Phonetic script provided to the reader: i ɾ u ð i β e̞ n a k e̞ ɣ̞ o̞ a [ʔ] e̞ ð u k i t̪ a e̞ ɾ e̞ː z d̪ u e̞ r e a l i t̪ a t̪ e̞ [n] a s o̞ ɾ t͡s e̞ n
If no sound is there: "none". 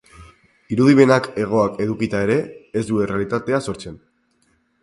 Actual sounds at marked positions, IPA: k, none

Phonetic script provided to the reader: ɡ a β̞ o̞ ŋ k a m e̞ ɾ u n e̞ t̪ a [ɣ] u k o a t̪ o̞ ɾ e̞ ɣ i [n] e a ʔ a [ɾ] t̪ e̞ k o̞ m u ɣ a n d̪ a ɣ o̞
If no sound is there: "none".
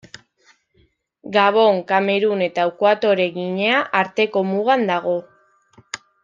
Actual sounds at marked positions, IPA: none, ɲ, ɾ

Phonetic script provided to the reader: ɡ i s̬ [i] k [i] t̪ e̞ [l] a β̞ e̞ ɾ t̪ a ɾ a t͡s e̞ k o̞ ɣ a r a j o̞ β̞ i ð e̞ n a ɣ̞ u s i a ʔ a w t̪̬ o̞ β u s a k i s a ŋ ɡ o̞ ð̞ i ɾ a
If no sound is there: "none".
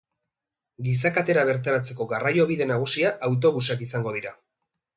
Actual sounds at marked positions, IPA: a, a, ɾ

